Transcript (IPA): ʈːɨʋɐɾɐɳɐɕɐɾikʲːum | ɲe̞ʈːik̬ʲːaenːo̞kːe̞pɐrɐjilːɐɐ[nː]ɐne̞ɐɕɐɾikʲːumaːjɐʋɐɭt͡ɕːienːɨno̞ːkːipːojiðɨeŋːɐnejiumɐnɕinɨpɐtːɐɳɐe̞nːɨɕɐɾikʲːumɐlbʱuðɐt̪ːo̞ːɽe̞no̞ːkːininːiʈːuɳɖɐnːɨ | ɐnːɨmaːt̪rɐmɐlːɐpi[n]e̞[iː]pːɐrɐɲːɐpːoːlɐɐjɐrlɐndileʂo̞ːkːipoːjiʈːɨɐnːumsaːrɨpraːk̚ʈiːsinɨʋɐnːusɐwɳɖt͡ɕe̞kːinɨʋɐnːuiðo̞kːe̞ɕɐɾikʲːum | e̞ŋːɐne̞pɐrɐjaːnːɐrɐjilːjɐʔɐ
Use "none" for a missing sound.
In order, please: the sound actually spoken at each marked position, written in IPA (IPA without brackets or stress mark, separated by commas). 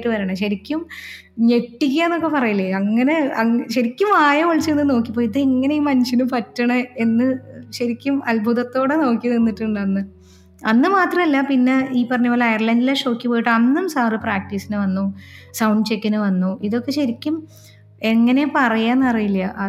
ŋː, nː, iː